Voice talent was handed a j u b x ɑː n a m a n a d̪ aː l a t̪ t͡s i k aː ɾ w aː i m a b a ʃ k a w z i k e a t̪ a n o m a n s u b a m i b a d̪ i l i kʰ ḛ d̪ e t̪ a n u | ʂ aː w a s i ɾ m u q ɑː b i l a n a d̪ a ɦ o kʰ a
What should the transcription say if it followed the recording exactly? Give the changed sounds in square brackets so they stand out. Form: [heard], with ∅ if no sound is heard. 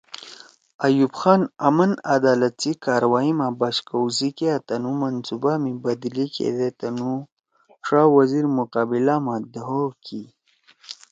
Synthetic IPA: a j u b x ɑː n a m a n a d̪ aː l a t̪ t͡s i k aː ɾ w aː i m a b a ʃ k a w z i k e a t̪ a n [u] m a n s u b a m i b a d̪ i l i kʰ ḛ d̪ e t̪ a n u | ʂ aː w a [z] i ɾ m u q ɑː b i l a [m] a d̪ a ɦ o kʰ [i]